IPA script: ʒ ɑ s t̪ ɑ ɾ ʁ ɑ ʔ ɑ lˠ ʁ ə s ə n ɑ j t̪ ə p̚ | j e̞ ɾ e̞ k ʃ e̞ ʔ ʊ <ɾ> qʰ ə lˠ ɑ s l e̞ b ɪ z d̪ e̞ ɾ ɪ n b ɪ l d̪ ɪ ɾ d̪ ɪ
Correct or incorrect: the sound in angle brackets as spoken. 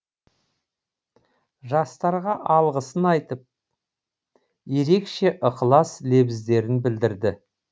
incorrect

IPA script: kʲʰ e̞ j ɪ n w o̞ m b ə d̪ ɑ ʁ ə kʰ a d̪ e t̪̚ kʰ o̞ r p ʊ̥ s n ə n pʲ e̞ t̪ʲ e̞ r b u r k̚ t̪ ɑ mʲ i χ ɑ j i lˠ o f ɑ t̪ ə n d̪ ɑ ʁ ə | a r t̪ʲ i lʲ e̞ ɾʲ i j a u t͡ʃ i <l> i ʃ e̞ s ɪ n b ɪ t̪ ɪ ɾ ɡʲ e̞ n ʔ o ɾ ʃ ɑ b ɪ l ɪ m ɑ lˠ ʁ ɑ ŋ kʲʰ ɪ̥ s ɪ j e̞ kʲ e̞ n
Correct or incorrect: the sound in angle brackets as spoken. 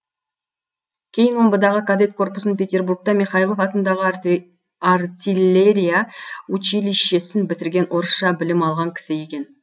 correct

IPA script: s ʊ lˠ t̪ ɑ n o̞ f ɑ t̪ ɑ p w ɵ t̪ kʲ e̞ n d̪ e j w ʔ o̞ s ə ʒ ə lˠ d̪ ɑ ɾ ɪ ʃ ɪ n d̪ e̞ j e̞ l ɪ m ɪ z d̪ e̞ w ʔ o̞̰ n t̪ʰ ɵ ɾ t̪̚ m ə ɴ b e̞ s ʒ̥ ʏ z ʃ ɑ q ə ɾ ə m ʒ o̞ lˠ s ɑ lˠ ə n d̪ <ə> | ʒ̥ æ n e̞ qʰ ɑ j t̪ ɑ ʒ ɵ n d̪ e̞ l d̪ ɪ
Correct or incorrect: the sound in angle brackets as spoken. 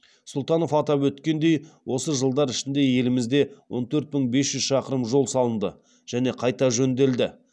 correct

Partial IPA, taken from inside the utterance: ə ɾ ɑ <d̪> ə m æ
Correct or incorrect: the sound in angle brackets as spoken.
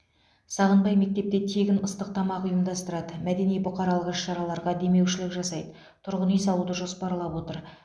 correct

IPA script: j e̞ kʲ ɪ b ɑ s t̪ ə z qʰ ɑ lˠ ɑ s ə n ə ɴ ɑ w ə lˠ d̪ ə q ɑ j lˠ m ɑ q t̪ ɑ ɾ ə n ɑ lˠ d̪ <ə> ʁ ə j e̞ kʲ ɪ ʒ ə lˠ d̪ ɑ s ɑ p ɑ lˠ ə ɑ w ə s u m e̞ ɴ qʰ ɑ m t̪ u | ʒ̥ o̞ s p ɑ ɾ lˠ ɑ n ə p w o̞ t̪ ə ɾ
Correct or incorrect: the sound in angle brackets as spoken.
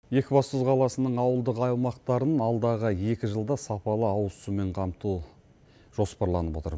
incorrect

